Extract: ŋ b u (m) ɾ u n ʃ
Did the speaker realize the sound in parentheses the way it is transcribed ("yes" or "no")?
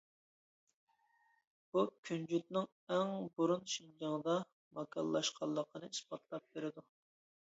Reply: no